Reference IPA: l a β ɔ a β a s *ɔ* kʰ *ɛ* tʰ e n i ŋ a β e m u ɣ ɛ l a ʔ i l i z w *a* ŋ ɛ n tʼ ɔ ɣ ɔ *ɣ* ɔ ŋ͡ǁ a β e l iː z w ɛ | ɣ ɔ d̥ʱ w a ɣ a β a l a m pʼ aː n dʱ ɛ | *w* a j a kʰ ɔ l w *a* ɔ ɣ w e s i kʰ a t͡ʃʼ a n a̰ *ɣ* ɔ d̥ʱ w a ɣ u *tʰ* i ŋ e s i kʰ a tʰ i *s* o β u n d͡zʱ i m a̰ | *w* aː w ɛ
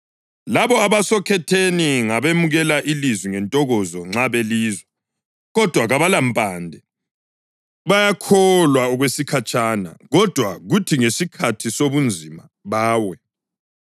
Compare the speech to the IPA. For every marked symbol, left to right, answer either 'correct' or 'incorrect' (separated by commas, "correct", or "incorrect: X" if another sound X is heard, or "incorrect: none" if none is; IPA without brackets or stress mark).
correct, correct, incorrect: i, incorrect: z, incorrect: β, correct, correct, correct, correct, incorrect: β